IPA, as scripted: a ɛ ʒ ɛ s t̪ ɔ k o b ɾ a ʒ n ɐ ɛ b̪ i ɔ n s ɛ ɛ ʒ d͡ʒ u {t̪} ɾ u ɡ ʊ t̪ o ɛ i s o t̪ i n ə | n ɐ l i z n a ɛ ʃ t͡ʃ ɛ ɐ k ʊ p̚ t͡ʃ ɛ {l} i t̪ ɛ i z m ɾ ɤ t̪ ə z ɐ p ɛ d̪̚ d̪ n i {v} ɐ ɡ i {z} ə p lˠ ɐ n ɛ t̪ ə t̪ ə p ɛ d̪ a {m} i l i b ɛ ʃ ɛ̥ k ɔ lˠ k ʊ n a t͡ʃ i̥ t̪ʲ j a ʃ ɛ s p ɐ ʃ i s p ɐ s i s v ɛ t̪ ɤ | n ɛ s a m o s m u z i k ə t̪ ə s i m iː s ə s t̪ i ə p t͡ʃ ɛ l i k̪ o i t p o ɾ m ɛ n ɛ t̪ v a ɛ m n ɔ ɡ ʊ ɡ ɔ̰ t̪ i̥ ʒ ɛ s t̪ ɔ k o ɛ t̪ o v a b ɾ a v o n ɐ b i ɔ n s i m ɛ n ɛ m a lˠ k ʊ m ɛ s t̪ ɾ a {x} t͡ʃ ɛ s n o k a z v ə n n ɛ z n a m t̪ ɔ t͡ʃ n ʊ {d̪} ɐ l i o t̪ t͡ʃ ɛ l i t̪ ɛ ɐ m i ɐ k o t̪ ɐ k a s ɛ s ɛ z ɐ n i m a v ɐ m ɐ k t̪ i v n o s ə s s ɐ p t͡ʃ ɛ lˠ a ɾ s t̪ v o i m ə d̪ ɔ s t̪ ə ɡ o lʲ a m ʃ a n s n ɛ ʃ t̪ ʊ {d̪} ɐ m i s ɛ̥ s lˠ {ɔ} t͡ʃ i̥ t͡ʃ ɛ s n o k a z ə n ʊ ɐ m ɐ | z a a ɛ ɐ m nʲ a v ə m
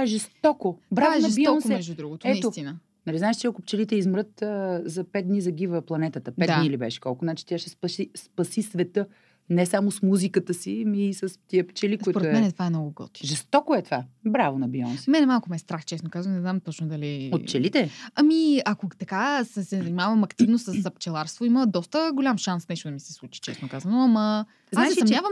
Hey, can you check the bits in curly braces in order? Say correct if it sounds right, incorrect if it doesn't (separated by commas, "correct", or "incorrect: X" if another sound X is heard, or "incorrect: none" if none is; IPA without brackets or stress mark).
incorrect: d̪, correct, incorrect: z, incorrect: v, incorrect: n, correct, correct, correct, incorrect: u